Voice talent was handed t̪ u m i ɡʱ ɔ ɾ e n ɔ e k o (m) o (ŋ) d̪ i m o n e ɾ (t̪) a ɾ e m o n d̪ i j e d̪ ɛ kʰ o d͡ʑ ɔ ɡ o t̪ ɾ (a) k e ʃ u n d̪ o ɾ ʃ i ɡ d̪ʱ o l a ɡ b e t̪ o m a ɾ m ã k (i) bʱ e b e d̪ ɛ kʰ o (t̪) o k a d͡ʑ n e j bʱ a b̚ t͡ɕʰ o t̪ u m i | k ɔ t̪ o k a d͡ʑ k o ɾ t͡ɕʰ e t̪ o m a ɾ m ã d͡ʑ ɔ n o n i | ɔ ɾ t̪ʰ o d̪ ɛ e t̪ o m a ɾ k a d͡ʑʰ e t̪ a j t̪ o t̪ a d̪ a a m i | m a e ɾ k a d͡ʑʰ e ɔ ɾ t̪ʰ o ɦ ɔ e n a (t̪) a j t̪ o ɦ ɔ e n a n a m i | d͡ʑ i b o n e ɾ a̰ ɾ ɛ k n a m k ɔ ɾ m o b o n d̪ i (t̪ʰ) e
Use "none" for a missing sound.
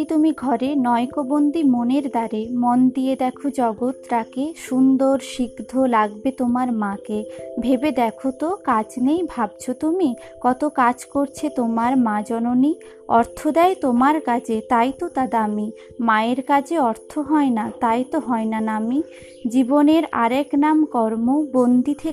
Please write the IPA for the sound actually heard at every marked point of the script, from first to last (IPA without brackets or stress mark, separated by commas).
b, n, d̪, a, e, t̪, t̪, t̪ʰ